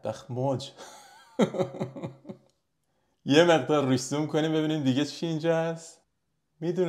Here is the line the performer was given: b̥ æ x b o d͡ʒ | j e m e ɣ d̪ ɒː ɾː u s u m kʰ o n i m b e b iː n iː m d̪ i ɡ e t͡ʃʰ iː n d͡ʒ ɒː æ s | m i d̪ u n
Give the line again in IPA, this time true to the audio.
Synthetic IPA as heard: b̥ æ x m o d͡ʒ | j e m e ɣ d̪ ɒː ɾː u s u m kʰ o n i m b e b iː n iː m d̪ i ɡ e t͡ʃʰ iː n d͡ʒ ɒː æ s | m i d̪ u n